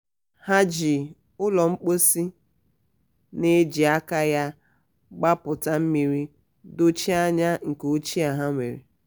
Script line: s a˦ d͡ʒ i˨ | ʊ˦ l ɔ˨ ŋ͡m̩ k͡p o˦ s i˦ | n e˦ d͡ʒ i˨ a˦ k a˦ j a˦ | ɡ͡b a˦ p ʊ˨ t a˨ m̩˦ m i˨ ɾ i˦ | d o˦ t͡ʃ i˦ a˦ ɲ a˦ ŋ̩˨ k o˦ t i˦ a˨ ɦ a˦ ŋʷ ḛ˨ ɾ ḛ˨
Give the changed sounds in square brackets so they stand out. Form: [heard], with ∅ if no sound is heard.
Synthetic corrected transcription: [h] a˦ d͡ʒ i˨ | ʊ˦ l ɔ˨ ŋ͡m̩ k͡p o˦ s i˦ | n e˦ d͡ʒ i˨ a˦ k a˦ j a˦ | ɡ͡b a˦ p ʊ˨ t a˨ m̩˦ m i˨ ɾ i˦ | d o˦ t͡ʃ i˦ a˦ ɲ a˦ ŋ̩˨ k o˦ [t͡ʃ] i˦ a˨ ɦ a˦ ŋʷ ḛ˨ ɾ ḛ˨